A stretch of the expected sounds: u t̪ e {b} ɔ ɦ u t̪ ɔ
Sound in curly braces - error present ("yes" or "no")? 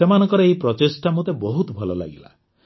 no